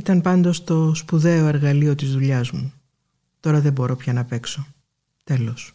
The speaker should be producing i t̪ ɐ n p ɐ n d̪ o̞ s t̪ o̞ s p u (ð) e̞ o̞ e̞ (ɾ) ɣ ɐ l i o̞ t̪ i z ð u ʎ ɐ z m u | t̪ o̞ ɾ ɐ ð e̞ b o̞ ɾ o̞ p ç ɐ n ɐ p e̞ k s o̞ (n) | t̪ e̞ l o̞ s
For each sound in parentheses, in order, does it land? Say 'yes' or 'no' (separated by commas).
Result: yes, yes, no